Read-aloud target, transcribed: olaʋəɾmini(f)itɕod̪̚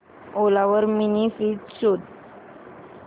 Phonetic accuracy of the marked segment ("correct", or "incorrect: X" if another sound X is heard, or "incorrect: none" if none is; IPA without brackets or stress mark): correct